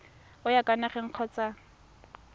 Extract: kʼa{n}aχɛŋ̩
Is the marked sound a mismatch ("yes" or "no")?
no